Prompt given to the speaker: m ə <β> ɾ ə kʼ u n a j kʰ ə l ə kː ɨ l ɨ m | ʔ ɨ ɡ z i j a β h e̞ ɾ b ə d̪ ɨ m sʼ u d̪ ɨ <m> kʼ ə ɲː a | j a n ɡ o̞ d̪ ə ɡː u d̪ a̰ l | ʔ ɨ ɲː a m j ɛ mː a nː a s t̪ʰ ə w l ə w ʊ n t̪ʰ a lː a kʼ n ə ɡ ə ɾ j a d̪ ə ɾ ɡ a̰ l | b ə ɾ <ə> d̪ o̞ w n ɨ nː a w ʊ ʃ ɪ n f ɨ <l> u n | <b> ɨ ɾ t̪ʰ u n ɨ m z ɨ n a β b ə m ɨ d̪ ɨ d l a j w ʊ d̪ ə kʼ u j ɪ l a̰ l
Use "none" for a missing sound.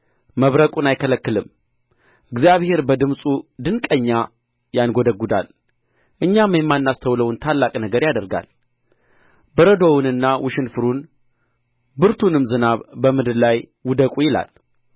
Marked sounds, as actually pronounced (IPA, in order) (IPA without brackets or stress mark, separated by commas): β, n, ə, ɾ, b